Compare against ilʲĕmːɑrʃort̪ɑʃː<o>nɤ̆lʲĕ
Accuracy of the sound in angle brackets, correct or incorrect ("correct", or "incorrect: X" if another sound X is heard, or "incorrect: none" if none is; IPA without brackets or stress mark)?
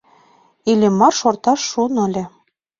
incorrect: u